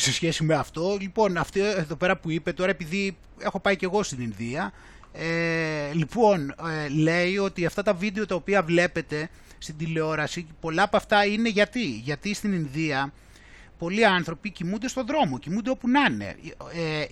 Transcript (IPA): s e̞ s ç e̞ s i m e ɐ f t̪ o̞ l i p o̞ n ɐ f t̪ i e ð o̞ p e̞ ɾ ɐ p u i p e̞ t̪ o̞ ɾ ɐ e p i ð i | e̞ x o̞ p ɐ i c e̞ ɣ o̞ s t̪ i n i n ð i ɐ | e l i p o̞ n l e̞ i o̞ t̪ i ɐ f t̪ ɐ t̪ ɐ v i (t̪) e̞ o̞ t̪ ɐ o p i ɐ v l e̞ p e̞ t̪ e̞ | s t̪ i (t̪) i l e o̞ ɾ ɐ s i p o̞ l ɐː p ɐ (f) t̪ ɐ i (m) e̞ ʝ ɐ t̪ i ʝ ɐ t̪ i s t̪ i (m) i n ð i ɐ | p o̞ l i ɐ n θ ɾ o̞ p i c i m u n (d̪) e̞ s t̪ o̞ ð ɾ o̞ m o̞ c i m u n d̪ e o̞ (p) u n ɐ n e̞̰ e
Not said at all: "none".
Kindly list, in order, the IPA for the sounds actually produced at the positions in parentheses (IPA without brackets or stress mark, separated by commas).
d̪, d̪, f, n, n, d̪, p